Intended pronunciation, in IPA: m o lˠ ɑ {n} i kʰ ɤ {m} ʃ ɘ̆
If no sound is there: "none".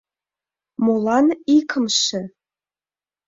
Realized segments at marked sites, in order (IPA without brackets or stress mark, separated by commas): n, m